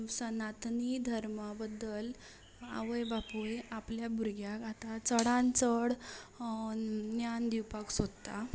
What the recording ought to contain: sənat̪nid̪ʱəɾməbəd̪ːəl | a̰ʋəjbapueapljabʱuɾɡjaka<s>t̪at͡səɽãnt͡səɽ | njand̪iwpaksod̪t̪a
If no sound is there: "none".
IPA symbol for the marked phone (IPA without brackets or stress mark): none